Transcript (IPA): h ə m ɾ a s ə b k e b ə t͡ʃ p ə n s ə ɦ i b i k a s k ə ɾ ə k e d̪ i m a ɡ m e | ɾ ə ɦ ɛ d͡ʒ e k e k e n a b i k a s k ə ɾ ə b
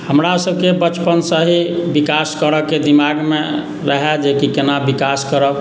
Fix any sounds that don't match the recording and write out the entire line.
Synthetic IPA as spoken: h ə m ɾ a s ə b k e b ə t͡ʃ p ə n s ə ɦ i b i k a s k ə ɾ ə k e d̪ i m a ɡ m e | ɾ ə ɦ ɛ d͡ʒ e k i k e n a b i k a s k ə ɾ ə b

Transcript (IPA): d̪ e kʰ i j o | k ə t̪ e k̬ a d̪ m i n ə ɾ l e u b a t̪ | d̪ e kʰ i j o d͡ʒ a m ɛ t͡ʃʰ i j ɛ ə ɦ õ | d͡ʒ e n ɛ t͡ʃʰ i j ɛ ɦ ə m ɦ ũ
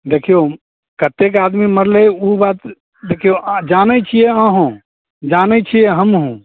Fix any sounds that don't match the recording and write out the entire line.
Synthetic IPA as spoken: d̪ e kʰ i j o | k ə t̪ e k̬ a d̪ m i m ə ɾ l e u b a t̪ | d̪ e kʰ i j o d͡ʒ a n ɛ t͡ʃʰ i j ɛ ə ɦ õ | d͡ʒ a n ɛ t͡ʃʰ i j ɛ ɦ ə m ɦ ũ

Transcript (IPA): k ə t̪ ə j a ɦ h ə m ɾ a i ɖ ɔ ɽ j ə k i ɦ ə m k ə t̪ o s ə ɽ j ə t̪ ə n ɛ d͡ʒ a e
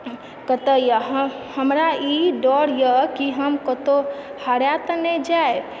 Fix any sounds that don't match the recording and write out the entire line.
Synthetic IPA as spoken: k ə t̪ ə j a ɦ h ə m ɾ a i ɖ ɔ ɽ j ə k i ɦ ə m k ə t̪ o h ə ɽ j a t̪ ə n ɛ d͡ʒ a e

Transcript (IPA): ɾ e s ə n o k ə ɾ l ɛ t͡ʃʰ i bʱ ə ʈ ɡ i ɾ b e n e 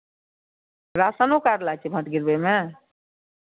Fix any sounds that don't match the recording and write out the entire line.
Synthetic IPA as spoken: ɾ a s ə n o k a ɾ l a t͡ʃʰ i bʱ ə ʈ ɡ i ɾ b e m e

